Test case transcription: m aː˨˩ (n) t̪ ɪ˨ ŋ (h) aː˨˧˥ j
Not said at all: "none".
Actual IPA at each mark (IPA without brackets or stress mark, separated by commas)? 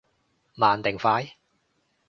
n, f